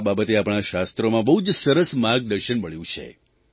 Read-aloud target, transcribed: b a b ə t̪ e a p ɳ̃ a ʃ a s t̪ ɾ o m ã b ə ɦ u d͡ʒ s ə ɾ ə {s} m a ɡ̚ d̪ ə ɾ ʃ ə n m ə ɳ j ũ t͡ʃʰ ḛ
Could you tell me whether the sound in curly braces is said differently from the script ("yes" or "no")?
no